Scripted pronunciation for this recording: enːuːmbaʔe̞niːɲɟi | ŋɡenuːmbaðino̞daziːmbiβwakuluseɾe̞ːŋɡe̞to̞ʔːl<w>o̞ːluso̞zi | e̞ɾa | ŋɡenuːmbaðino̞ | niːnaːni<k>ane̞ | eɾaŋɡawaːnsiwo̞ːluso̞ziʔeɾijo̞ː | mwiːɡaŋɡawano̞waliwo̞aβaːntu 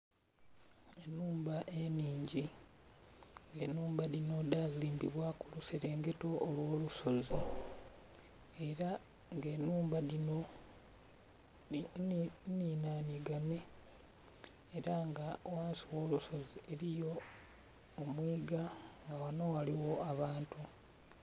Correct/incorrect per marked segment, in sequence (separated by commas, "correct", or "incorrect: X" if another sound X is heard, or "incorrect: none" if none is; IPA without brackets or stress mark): correct, incorrect: ɡ